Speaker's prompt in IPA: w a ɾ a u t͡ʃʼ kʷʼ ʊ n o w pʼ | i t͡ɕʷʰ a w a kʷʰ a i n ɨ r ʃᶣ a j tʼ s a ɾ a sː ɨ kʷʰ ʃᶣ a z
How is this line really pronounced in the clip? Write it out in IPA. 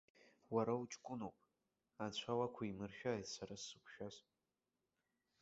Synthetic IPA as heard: w a ɾ a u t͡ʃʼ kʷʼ ʊ n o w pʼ | a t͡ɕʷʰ a w a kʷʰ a i m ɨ r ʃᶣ a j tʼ s a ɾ a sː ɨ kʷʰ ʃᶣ a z